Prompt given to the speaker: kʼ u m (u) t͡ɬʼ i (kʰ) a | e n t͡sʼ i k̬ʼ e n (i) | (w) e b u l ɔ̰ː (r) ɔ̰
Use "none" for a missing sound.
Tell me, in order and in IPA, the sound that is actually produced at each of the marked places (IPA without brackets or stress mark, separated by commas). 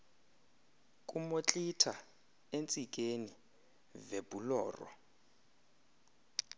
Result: o, tʰ, i, v, r